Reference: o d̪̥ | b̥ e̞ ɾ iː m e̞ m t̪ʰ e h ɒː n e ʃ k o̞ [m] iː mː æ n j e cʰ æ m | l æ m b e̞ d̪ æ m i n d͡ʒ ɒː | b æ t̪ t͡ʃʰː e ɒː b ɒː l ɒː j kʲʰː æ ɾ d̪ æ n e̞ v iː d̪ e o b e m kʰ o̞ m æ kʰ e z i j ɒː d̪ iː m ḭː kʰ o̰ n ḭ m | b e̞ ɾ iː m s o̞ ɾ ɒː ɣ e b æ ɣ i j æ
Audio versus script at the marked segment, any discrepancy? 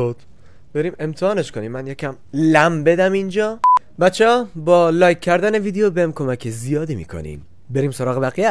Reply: yes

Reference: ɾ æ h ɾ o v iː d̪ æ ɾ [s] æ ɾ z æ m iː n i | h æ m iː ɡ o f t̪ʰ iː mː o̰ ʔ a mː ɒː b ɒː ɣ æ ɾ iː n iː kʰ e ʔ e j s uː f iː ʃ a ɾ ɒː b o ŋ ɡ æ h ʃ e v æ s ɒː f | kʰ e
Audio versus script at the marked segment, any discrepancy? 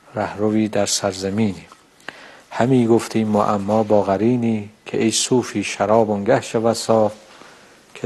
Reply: no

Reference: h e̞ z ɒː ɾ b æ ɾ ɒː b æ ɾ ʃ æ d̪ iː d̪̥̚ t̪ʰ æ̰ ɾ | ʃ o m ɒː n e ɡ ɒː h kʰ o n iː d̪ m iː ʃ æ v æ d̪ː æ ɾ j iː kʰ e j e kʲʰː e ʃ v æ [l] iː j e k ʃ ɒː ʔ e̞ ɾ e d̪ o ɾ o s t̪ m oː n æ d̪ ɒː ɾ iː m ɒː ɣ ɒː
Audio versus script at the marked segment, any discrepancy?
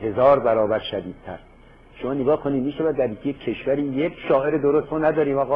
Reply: yes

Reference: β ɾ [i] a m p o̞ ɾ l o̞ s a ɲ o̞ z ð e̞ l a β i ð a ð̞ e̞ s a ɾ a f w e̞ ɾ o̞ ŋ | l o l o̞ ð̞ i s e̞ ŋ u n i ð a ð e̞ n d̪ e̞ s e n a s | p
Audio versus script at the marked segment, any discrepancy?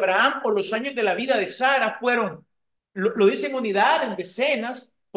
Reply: yes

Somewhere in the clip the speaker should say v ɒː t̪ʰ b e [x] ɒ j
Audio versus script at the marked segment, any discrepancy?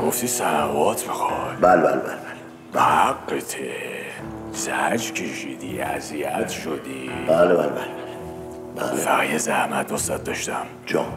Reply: no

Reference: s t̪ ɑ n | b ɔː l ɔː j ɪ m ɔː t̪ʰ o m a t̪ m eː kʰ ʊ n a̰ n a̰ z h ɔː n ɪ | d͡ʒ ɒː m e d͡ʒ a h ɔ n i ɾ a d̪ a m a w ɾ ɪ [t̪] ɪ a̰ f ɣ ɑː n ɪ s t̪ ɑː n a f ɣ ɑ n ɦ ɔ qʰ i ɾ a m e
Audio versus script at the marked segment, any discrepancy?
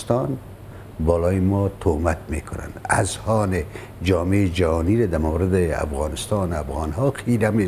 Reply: yes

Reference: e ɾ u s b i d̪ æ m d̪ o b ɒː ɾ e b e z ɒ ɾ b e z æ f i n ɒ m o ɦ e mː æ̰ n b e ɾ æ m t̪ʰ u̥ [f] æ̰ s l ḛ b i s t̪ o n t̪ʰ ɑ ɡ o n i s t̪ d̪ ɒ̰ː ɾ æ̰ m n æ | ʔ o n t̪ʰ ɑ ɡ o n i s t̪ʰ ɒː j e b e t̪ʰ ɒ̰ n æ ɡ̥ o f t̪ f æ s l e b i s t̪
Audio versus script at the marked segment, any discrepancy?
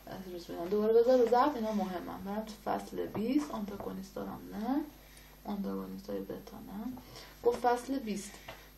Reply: no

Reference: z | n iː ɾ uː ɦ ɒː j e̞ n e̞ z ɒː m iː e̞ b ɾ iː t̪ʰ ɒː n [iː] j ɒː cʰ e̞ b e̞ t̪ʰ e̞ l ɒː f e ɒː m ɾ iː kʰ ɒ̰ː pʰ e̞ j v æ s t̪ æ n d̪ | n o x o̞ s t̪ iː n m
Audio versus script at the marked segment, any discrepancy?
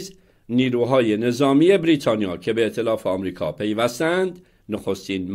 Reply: yes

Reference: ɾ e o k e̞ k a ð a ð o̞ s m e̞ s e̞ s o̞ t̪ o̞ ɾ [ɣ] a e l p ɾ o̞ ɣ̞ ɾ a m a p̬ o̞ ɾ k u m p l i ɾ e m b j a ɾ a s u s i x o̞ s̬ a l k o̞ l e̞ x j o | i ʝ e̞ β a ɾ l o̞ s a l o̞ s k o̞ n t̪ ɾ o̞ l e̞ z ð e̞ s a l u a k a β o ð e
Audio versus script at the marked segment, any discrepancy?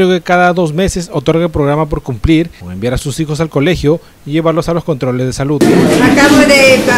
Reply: no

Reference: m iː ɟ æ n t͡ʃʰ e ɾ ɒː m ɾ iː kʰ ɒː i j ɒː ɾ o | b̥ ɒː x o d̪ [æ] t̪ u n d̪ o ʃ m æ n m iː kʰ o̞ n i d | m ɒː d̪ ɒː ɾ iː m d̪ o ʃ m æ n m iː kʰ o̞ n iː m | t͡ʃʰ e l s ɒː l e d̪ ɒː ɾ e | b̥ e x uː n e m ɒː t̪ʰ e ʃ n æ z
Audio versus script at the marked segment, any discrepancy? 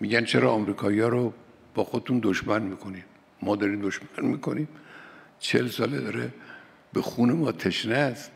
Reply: yes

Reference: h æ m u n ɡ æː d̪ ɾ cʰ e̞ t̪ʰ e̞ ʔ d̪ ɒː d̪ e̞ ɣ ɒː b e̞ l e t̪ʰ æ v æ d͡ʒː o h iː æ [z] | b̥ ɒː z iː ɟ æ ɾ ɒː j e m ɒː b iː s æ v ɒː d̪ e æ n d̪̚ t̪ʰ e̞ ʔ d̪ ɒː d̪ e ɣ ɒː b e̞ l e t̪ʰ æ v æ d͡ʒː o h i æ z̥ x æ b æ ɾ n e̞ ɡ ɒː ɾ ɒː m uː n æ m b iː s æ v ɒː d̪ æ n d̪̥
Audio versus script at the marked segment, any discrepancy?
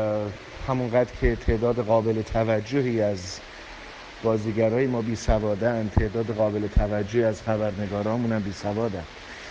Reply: no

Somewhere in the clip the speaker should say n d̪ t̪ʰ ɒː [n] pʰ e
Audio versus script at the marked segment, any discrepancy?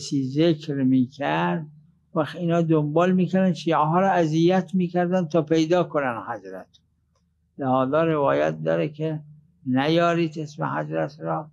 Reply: yes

